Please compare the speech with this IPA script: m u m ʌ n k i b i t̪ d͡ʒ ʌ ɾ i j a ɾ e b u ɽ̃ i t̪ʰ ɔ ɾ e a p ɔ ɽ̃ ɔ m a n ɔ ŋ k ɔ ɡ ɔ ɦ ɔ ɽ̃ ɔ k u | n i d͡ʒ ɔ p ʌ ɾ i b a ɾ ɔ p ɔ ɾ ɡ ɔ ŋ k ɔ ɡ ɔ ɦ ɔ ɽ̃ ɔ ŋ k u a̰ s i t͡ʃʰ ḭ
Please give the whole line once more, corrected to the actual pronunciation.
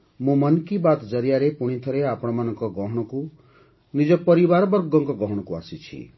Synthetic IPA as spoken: m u m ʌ n k i b a t̪ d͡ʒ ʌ ɾ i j a ɾ e p u ɽ̃ i t̪ʰ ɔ ɾ e a p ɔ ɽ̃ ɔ m a n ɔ ŋ k ɔ ɡ ɔ ɦ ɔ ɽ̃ ɔ k u | n i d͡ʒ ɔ p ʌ ɾ i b a ɾ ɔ b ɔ ɾ ɡ ɔ ŋ k ɔ ɡ ɔ ɦ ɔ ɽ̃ ɔ k u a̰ s i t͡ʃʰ ḭ